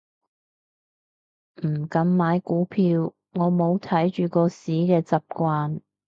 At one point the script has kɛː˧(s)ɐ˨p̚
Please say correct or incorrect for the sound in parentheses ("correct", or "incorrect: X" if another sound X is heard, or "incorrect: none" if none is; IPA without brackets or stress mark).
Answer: incorrect: t͡s